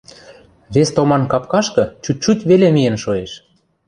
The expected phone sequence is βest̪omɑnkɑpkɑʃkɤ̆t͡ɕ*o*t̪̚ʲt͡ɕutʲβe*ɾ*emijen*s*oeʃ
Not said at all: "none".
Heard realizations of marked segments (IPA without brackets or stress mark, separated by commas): u, l, ʃ